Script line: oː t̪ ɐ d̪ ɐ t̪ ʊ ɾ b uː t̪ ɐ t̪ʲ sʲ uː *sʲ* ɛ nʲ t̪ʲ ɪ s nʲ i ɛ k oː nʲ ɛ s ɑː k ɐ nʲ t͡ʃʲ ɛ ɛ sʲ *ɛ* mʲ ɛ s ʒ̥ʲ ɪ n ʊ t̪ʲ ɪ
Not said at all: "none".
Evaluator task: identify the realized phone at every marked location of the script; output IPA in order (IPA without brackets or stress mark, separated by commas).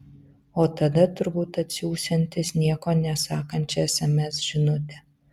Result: sʲ, ɛ